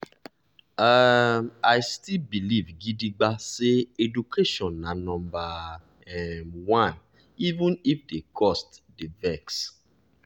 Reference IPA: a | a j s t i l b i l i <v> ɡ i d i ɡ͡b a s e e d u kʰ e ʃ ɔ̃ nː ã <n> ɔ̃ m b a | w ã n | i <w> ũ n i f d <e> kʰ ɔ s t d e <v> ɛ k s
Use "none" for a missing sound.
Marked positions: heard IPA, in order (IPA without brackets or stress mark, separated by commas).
v, n, v, e, v